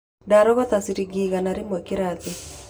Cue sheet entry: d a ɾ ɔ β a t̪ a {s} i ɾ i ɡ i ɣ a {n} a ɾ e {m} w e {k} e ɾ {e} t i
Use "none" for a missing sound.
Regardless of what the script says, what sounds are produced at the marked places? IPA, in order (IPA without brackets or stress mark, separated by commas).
s, n, m, k, a